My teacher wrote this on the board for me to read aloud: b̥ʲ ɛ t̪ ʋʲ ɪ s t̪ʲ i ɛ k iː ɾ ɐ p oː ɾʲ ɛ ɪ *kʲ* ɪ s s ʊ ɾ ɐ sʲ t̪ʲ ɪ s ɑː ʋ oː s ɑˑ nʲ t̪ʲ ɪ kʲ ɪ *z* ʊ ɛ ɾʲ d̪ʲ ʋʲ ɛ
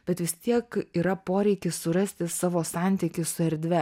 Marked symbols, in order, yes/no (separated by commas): yes, no